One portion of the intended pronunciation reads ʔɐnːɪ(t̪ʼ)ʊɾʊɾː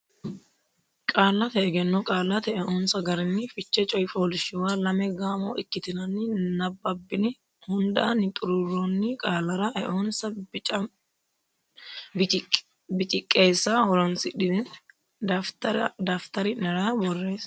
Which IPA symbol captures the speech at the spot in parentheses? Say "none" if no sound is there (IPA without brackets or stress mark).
t̪ʼ